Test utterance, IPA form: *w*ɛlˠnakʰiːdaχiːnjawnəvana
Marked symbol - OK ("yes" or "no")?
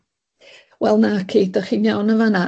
yes